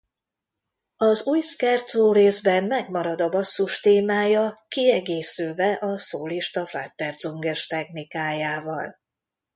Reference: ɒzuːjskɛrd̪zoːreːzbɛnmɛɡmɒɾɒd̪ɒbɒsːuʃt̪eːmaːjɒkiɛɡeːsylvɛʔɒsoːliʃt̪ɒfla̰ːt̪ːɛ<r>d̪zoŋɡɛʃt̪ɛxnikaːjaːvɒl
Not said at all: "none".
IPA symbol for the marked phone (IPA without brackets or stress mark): r